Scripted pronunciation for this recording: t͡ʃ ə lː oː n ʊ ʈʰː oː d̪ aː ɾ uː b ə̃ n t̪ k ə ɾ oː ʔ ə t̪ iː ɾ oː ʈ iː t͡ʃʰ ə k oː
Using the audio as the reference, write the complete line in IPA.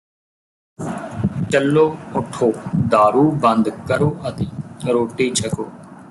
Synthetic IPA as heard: t͡ʃ ə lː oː ʊ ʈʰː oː d̪ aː ɾ uː b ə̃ n d̪ k ə ɾ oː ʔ ə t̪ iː ɾ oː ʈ iː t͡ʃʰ ə k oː